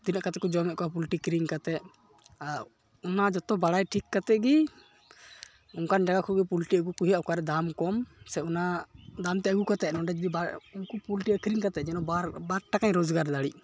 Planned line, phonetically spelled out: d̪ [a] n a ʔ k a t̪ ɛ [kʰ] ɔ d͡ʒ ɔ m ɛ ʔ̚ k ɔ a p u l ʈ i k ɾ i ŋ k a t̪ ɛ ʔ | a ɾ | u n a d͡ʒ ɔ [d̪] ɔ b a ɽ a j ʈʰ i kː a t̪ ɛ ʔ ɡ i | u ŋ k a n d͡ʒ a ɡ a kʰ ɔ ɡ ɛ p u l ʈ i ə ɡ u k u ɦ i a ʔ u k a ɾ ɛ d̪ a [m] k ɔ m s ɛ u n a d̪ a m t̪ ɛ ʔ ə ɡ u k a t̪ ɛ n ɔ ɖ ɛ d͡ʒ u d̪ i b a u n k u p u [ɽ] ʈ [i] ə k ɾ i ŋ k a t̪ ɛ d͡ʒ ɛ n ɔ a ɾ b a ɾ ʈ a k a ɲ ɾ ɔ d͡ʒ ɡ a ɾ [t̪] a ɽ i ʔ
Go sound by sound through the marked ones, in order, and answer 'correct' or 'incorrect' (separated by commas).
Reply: incorrect, incorrect, incorrect, correct, incorrect, correct, incorrect